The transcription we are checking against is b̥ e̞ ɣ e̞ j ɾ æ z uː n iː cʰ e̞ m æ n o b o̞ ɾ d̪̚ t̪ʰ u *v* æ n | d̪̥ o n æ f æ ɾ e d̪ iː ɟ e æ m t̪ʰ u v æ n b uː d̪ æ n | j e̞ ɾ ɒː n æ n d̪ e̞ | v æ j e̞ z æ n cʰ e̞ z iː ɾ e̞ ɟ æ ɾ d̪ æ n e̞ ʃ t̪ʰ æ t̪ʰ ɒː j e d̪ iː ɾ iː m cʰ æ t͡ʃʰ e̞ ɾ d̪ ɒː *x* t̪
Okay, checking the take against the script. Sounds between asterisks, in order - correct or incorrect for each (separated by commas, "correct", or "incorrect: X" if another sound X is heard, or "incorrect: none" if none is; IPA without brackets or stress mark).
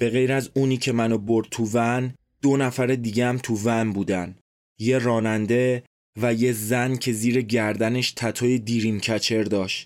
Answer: correct, incorrect: ʃ